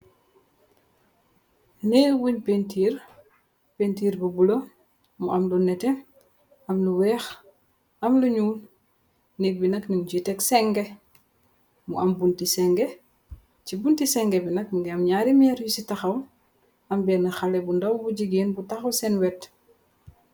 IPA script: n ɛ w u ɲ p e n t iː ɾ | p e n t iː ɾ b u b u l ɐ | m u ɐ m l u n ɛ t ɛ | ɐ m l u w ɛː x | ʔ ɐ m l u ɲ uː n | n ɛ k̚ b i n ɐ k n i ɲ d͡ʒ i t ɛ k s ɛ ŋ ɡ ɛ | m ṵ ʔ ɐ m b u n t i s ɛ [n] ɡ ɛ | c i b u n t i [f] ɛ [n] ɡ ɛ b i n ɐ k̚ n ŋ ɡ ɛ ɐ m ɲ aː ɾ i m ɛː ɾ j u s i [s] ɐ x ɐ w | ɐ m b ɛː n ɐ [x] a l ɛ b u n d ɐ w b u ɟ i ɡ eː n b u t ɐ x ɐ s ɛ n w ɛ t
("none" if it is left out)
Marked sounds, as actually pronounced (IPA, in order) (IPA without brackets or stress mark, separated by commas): ŋ, s, ŋ, t, x